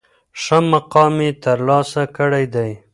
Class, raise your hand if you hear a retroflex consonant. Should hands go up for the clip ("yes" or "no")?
yes